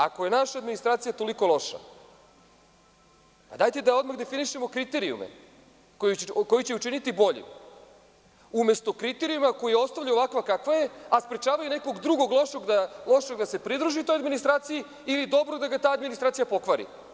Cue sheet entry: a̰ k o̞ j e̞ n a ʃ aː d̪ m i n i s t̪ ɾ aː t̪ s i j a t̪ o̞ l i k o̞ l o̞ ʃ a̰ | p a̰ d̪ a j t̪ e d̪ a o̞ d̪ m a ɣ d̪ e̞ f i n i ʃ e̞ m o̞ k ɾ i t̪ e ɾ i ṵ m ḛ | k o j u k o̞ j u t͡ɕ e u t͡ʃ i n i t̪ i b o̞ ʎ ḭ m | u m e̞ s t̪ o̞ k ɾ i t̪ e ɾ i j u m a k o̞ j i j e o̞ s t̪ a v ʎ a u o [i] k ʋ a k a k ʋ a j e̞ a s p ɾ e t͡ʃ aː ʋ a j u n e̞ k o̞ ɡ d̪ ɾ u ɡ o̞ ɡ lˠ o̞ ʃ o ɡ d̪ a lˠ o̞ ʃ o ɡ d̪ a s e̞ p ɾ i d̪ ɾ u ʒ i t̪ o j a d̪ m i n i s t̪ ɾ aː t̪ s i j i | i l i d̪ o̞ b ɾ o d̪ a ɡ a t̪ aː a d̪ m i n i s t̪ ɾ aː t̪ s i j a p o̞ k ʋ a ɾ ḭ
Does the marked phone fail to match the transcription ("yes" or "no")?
yes